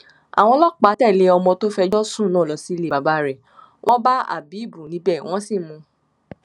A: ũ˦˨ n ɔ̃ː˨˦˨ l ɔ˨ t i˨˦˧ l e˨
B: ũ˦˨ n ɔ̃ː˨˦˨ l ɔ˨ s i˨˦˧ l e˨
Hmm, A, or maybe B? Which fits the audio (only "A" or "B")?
B